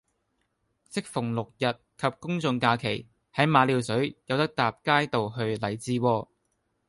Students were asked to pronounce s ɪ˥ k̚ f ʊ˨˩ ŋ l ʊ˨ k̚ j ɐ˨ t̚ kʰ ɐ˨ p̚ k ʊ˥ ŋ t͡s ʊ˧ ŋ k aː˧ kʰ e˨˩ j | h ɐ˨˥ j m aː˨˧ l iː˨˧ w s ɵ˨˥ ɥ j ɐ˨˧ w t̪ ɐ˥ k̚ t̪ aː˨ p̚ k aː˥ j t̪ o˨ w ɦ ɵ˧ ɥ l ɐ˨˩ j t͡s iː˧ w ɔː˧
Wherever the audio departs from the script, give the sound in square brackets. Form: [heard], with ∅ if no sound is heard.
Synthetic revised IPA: s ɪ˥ k̚ f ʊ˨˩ ŋ l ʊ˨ k̚ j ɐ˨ t̚ kʰ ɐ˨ p̚ k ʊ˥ ŋ t͡s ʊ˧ ŋ k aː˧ kʰ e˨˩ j | h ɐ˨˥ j m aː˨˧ l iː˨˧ w s ɵ˨˥ ɥ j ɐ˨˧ w t̪ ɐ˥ k̚ t̪ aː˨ p̚ k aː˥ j t̪ o˨ w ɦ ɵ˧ ɥ l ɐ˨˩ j t͡s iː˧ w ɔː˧